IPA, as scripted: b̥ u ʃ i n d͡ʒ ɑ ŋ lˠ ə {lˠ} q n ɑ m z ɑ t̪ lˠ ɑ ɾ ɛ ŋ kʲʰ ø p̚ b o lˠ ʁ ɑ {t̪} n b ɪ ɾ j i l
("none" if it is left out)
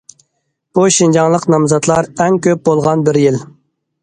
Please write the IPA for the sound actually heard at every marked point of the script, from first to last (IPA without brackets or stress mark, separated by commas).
none, none